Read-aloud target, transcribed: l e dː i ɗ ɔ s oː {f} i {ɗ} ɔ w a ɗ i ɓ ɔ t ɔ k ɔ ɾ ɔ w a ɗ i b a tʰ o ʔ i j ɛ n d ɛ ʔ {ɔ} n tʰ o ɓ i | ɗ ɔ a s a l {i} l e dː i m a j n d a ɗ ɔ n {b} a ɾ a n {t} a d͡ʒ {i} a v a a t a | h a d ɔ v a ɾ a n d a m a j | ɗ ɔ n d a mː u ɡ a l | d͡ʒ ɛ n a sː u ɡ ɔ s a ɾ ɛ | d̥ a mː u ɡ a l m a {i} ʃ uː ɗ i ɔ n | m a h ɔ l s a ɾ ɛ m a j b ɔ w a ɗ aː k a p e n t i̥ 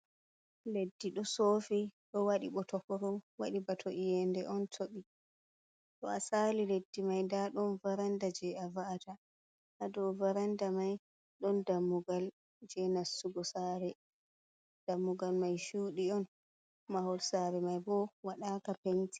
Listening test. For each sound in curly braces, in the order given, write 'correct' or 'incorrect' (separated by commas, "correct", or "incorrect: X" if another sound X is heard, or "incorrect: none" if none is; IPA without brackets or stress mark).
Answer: correct, correct, correct, correct, incorrect: v, incorrect: d, incorrect: ɛ, incorrect: j